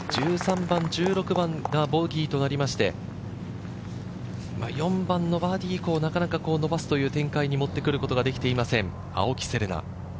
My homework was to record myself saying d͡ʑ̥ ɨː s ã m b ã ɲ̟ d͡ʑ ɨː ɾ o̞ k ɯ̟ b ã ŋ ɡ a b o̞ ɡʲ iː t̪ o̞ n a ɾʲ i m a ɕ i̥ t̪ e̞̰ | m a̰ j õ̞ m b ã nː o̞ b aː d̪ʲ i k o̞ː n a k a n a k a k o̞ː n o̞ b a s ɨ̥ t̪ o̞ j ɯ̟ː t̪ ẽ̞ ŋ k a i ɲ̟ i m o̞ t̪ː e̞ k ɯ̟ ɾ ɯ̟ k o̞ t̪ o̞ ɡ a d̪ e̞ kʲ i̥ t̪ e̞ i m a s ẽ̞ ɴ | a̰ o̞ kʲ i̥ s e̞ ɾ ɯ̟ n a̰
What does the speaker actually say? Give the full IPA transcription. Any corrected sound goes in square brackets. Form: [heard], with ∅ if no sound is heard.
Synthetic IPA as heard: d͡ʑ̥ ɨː s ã m b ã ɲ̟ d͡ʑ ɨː ɾ o̞ k ɯ̟ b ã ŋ ɡ a b o̞ ɡʲ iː t̪ o̞ n a ɾʲ i m a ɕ i̥ t̪ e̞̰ | m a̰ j õ̞ m b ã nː o̞ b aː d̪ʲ i k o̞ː n a k a n a k a k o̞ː n o̞ b a s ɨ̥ t̪ o̞ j ɯ̟ː t̪ ẽ̞ ŋ k a i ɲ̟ i m o̞ t̪ː e̞ k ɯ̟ ɾ ɯ̟ k o̞ t̪ o̞ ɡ a d̪ e̞ kʲ i̥ t̪ e̞ i m a s ẽ̞ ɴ | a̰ o̞ kʲ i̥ s e̞ ɾ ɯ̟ n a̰